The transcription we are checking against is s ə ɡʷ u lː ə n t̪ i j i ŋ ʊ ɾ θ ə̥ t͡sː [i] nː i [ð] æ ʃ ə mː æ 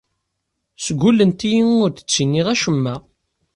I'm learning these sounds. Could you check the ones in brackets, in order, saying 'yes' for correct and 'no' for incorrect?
yes, no

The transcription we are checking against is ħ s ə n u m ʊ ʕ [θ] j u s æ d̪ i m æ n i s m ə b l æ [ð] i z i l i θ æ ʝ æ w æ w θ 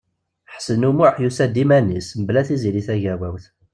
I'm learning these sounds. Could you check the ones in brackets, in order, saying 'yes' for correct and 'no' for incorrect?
no, no

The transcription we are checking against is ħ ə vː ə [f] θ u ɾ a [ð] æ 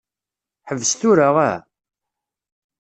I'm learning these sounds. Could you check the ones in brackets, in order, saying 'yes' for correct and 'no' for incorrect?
no, no

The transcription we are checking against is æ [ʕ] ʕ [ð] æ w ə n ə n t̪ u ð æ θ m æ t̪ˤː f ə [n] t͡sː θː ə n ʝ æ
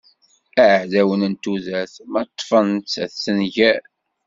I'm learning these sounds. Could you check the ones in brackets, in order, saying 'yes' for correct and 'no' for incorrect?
yes, yes, yes

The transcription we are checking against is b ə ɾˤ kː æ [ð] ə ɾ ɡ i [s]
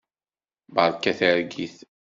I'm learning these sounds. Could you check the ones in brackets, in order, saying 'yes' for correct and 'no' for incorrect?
no, no

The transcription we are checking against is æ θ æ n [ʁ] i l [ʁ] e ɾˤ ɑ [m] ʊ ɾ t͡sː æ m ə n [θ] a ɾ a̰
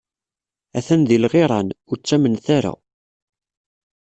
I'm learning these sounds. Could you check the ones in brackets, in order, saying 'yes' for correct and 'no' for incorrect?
no, yes, no, yes

